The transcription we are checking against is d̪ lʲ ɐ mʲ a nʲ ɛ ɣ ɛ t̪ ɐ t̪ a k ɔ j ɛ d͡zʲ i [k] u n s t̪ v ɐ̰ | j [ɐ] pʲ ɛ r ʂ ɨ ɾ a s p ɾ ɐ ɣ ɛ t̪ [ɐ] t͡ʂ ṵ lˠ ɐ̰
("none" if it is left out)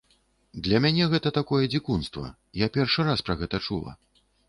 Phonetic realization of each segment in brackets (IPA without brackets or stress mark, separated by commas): k, a, ɐ